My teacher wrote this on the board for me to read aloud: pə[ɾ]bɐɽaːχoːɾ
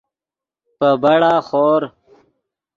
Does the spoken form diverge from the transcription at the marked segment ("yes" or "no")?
yes